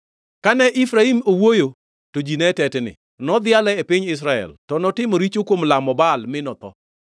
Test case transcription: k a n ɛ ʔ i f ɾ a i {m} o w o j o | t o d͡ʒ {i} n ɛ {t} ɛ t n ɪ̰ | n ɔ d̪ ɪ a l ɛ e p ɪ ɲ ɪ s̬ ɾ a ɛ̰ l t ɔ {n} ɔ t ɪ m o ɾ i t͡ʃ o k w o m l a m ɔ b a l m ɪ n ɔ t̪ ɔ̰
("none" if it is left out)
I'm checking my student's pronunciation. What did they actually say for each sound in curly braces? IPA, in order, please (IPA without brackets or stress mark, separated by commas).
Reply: m, i, t, n